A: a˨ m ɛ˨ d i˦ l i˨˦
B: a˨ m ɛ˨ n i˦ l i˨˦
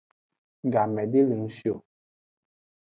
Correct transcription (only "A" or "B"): A